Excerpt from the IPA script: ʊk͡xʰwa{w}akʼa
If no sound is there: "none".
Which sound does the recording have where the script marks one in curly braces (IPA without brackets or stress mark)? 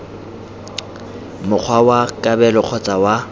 w